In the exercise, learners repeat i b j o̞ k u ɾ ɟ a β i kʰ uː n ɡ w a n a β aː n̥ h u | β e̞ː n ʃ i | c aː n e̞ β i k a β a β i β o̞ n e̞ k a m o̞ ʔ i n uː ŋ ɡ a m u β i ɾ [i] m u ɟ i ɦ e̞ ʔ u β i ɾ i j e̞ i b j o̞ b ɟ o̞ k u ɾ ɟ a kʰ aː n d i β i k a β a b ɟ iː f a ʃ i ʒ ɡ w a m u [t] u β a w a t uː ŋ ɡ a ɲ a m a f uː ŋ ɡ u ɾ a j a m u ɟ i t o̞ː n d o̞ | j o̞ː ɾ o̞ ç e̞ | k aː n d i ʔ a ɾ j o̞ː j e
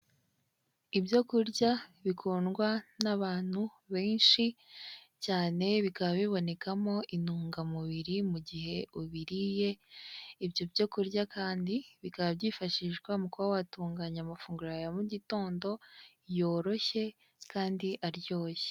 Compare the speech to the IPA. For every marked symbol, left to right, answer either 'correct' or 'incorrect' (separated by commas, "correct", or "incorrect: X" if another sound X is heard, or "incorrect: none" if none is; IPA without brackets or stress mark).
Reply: correct, incorrect: k